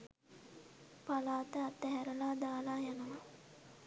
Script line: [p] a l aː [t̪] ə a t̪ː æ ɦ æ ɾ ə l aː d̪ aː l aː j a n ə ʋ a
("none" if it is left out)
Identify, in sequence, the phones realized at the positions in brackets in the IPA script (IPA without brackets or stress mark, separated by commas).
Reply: p, t̪